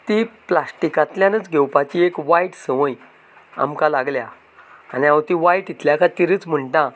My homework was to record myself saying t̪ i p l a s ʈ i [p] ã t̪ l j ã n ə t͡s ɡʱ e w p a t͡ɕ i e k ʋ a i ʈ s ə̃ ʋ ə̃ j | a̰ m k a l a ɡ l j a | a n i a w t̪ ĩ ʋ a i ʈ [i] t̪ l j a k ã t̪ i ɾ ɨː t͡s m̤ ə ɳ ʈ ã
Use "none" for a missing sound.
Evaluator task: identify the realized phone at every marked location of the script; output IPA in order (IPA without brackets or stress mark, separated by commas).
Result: k, i